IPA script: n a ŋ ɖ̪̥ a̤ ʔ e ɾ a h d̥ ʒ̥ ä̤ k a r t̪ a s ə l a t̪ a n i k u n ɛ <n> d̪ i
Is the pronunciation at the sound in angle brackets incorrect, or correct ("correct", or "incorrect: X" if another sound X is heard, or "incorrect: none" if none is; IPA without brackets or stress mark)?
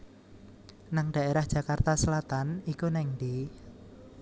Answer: incorrect: ŋ